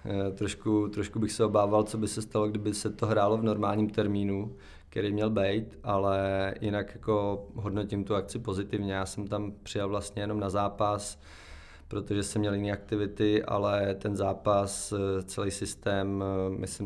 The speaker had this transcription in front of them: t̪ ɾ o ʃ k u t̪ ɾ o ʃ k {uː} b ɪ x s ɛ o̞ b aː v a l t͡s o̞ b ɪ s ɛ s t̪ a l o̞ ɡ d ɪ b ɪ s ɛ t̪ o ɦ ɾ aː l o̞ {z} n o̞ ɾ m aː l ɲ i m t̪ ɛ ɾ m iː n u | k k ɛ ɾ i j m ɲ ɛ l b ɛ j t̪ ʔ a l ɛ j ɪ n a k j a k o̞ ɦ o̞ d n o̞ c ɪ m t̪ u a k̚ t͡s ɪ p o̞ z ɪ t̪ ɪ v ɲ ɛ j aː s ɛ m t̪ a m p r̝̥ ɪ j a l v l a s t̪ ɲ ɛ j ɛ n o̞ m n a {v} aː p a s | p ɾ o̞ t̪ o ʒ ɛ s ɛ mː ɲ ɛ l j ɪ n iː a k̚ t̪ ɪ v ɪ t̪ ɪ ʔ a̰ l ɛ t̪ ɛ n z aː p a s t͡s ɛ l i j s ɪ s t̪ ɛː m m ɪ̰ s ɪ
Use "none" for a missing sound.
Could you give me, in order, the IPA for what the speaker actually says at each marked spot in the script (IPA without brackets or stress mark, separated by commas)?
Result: u, v, z